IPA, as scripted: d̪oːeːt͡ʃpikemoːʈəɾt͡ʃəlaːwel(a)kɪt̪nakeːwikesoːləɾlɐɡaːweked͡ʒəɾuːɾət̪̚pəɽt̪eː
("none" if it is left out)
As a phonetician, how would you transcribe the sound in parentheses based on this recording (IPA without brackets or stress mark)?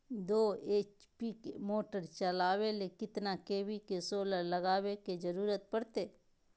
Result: e